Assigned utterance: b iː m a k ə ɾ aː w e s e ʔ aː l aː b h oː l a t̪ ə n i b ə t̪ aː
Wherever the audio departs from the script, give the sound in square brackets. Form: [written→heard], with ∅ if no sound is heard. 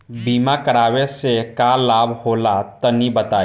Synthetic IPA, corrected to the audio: b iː m a k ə ɾ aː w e s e [ʔ→k] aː l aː b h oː l a t̪ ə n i b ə t̪ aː